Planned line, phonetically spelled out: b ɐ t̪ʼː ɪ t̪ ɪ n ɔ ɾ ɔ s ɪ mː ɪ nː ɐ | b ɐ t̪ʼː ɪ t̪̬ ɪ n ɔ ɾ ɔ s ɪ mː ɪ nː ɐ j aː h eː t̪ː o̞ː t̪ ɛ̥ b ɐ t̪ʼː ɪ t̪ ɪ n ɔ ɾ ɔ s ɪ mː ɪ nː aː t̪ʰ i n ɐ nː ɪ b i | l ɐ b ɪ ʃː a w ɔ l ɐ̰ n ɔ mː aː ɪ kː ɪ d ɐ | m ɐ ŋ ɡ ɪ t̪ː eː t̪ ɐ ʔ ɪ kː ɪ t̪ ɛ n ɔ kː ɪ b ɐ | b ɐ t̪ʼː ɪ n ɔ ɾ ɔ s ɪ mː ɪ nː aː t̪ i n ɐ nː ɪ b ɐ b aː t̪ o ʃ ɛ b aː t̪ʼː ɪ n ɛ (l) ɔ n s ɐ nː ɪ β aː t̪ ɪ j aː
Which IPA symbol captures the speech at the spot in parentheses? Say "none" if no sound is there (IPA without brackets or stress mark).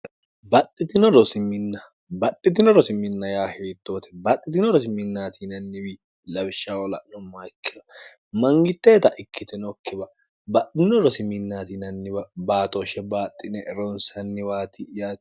ɾ